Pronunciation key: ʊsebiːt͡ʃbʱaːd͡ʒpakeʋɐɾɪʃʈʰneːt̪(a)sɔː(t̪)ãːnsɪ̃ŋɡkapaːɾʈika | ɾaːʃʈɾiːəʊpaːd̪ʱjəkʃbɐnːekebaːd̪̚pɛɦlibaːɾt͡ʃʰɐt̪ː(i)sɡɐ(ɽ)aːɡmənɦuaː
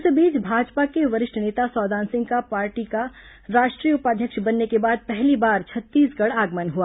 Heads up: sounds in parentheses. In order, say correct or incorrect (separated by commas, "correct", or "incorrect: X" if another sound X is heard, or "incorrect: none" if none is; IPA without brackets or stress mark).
correct, incorrect: d̪, incorrect: iː, correct